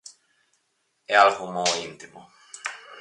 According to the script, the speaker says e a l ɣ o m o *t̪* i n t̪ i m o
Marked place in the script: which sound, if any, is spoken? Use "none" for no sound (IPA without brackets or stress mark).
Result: none